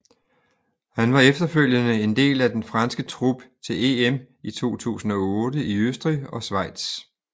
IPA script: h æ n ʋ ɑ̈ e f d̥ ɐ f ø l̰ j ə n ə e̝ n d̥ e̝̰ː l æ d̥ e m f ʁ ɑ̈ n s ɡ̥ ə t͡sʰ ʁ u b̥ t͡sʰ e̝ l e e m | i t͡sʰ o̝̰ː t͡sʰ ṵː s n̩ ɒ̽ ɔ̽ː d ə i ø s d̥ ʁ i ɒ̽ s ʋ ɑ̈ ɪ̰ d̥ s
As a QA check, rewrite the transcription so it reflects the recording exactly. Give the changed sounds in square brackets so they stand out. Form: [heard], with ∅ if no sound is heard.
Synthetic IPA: h æ n ʋ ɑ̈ e f d̥ ɐ f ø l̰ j ə n ə e̝ n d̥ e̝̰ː l æ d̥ e [n] f ʁ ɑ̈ n s ɡ̥ ə t͡sʰ ʁ u b̥ t͡sʰ e̝ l e e m | i t͡sʰ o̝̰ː t͡sʰ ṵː s n̩ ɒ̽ ɔ̽ː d ə i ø s d̥ ʁ i ɒ̽ s ʋ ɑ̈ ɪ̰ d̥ s

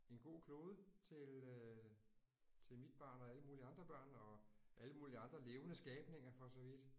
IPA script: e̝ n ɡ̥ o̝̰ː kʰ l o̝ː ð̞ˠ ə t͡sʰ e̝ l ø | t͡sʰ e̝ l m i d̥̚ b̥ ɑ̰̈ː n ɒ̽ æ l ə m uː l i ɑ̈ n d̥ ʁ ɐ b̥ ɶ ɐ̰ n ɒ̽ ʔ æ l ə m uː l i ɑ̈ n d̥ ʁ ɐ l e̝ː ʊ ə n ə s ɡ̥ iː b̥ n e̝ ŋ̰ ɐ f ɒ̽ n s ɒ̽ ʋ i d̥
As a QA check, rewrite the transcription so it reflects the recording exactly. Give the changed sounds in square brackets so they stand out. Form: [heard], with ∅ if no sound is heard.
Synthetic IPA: e̝ n ɡ̥ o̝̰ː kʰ l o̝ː ð̞ˠ ə t͡sʰ e̝ l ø | t͡sʰ e̝ l m i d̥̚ b̥ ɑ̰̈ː n ɒ̽ æ l ə m uː l i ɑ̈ n d̥ ʁ ɐ b̥ ɶ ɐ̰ n ɒ̽ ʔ æ l ə m uː l i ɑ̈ n d̥ ʁ ɐ l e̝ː ʊ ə n ə s ɡ̥ [ɛː] b̥ n e̝ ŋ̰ ɐ f ɒ̽ [∅] s ɒ̽ ʋ i d̥

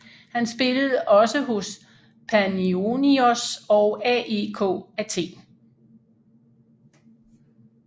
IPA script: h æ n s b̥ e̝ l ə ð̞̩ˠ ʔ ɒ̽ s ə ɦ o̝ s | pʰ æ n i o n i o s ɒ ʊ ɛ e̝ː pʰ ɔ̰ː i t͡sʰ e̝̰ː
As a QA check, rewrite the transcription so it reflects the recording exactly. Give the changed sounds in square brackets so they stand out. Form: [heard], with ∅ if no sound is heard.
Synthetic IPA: h æ n s b̥ e̝ l ə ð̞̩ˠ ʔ ɒ̽ s ə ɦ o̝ s | pʰ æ n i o n i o s ɒ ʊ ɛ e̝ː [kʰ] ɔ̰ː [æ] t͡sʰ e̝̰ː

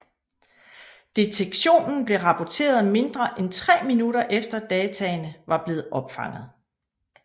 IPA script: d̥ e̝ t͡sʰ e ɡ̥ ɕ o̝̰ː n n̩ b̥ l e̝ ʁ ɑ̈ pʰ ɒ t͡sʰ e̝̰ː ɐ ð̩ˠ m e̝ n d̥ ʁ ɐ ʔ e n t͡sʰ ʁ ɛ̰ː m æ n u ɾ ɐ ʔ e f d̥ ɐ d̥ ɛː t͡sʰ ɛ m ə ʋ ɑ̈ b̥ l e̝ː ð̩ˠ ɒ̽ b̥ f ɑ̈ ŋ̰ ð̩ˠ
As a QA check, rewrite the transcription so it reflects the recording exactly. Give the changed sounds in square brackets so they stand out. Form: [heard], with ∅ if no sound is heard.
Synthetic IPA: d̥ e̝ t͡sʰ e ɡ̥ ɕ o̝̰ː n n̩ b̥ l e̝ ʁ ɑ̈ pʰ ɒ t͡sʰ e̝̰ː ɐ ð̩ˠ m e̝ n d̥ ʁ ɐ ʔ e n t͡sʰ ʁ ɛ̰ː m [i] n u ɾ ɐ ʔ e f d̥ ɐ d̥ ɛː t͡sʰ ɛ [n] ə ʋ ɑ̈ b̥ l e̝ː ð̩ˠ ɒ̽ b̥ f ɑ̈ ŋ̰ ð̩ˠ

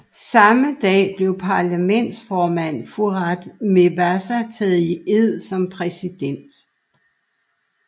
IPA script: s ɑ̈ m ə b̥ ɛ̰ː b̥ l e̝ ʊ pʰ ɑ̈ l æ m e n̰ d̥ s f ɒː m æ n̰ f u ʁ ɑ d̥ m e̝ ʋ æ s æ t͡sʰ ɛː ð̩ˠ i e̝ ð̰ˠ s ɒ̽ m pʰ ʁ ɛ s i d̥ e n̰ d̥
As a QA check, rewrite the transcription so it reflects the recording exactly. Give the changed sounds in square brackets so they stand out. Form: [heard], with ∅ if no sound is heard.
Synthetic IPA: s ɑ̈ m ə [d̥] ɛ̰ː b̥ l e̝ ʊ pʰ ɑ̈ l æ m e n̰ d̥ s f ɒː m æ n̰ f u ʁ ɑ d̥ m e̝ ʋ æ s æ t͡sʰ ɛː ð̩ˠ i e̝ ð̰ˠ s ɒ̽ m pʰ ʁ ɛ s i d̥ e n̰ d̥

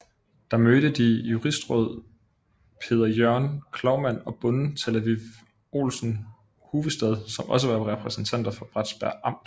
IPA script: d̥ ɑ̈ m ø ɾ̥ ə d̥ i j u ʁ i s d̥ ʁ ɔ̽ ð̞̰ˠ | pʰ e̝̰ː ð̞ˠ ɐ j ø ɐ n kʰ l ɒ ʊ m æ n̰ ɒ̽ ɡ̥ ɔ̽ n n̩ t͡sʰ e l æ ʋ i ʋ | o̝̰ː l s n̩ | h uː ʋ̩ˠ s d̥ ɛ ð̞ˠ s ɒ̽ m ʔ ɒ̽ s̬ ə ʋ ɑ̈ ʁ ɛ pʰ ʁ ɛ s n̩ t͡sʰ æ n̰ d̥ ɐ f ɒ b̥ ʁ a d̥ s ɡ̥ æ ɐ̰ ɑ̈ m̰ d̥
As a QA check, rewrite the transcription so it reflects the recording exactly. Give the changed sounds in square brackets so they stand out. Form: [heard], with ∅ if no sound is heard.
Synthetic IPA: d̥ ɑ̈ m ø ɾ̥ ə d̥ i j u ʁ i s d̥ ʁ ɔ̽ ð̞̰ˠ | pʰ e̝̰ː ð̞ˠ ɐ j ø ɐ n kʰ l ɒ ʊ m æ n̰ ɒ̽ [b̥] ɔ̽ n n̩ t͡sʰ e l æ ʋ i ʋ | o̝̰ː l s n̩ | h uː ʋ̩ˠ s d̥ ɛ ð̞ˠ s ɒ̽ m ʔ ɒ̽ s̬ ə ʋ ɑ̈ ʁ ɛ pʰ ʁ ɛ s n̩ t͡sʰ æ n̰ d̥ ɐ f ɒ b̥ ʁ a d̥ s [b̥] æ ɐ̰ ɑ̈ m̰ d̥

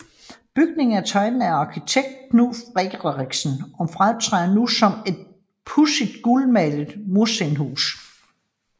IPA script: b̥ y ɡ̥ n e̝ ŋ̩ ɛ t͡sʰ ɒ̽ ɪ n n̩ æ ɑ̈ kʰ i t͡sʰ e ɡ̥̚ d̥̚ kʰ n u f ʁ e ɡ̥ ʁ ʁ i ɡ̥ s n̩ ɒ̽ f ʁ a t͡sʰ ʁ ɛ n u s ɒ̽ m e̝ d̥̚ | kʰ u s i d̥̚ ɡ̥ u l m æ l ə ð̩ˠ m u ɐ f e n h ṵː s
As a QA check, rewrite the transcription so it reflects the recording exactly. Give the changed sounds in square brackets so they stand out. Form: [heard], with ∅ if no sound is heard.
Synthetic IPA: b̥ y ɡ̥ n e̝ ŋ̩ [æ] t͡sʰ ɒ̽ ɪ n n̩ æ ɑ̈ kʰ i t͡sʰ e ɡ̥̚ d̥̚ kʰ n u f ʁ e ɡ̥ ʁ ʁ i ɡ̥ s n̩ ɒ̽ f ʁ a t͡sʰ ʁ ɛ n u s ɒ̽ m e̝ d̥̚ | [pʰ] u s i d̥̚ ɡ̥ u l m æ l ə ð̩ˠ m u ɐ [s] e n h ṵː s

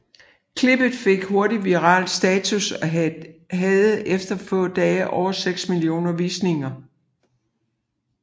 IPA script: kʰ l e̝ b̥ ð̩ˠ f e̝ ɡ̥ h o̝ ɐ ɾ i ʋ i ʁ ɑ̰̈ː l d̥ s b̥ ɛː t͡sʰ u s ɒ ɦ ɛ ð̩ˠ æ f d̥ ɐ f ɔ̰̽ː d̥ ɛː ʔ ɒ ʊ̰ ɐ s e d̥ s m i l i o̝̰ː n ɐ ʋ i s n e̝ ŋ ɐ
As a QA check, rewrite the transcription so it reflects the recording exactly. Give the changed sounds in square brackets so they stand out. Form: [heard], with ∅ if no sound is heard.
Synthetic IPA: kʰ l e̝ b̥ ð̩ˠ f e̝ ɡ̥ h o̝ ɐ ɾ i ʋ i ʁ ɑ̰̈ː l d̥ s [d̥] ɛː t͡sʰ u s ɒ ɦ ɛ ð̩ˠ [e] f d̥ ɐ f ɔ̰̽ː d̥ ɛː ʔ ɒ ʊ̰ ɐ s e [ɡ̥] s m i l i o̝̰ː n ɐ ʋ i s n e̝ ŋ ɐ

